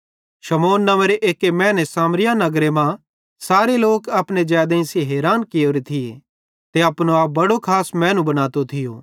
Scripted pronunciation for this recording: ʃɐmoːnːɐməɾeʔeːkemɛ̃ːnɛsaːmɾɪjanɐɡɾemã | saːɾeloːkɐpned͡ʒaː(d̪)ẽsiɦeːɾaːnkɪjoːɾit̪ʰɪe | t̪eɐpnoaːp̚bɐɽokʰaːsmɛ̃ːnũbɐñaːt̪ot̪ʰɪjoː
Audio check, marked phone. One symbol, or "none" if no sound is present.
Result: d̪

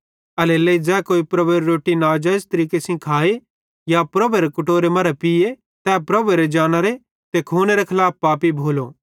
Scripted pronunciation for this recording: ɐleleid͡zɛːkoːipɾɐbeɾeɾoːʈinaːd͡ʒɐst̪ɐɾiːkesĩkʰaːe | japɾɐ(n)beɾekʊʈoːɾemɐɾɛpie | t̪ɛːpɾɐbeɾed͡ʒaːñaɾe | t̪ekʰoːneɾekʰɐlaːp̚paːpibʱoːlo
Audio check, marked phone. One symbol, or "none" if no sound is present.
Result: none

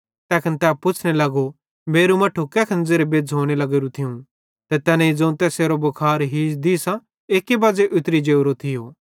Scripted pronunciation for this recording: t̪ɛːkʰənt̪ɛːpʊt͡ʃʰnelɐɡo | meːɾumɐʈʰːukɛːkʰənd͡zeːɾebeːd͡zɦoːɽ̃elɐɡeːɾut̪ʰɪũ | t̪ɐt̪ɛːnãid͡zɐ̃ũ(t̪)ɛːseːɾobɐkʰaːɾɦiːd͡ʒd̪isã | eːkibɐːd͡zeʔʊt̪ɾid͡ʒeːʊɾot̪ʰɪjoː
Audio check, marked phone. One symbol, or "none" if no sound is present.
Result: t̪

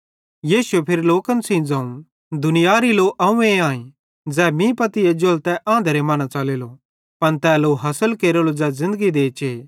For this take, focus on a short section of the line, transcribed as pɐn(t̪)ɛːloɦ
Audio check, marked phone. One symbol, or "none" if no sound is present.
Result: t̪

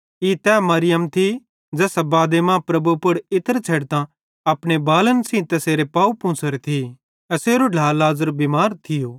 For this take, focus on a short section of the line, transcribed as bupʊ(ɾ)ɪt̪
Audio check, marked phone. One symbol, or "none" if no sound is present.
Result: ɽ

